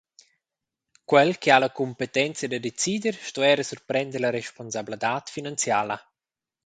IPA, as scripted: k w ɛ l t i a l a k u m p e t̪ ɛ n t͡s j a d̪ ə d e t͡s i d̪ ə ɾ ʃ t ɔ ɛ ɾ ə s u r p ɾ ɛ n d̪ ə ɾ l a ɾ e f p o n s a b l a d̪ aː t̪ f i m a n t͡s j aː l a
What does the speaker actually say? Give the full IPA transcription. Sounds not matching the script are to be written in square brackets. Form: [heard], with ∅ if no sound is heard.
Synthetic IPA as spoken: k w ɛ l [k] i a l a k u m p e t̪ ɛ n t͡s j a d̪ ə d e t͡s i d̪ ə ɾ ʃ t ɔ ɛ ɾ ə s u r p ɾ ɛ n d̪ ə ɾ l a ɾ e [ʃ] p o n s a b l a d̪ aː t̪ f i [n] a n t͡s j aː l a